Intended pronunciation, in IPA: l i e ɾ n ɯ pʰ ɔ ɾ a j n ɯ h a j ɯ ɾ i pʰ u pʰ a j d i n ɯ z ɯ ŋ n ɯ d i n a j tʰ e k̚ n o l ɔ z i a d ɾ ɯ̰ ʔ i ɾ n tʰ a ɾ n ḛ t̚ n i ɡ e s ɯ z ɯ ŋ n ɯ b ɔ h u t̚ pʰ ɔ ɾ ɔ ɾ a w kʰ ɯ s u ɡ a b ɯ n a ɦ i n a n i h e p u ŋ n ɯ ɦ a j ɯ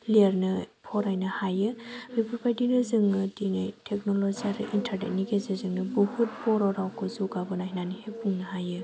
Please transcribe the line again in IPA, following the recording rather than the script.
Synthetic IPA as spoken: l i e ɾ n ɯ pʰ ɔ ɾ a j n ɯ h a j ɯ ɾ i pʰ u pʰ a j d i n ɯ z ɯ ŋ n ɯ d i n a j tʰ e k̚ n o l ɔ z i a ɾ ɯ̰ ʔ i n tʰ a ɾ n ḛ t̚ n i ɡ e z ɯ z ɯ ŋ n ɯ b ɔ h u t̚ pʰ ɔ ɾ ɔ ɾ a w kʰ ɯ z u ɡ a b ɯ n a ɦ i n a n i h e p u ŋ n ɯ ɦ a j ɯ